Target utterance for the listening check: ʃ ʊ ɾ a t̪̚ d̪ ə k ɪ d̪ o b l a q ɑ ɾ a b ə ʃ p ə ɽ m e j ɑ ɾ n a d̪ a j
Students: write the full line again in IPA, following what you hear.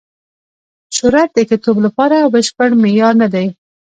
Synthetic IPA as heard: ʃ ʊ ɾ a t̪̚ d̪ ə k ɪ t̪ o b l a p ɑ ɾ a b ə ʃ p ə ɽ m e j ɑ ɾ n a d̪ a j